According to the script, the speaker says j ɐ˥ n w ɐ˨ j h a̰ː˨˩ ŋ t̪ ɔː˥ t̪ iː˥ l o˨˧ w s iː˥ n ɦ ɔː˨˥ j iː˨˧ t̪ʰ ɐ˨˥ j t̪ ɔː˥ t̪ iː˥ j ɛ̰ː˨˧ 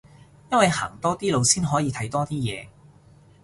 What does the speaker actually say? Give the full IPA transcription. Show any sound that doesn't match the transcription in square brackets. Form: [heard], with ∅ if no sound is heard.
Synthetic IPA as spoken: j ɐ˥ n w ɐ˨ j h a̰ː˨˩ ŋ t̪ ɔː˥ t̪ iː˥ l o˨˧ w s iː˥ n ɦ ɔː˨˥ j iː˨˧ t̪ʰ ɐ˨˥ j t̪ ɔː˥ t̪ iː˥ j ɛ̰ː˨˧